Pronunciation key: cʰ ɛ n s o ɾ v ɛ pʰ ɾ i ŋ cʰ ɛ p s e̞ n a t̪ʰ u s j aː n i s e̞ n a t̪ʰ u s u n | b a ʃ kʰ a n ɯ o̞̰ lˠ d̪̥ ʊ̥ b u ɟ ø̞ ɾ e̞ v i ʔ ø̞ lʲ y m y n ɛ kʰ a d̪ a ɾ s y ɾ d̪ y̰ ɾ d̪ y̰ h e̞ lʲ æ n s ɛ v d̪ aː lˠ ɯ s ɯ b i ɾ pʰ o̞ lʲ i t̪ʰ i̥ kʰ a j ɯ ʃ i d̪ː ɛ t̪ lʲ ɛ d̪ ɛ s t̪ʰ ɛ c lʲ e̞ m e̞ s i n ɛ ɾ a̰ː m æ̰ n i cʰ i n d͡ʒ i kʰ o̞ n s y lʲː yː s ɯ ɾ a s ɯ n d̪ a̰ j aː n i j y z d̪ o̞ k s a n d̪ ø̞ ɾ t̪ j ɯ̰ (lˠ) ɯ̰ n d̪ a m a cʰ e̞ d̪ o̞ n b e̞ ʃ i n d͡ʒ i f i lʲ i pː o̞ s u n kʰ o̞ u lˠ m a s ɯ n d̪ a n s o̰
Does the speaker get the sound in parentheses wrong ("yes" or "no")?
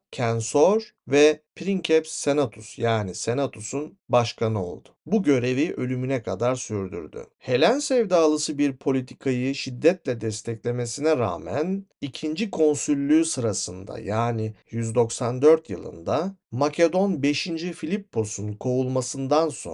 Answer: no